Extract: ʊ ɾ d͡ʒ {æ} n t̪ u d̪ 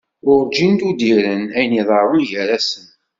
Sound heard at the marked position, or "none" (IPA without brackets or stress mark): i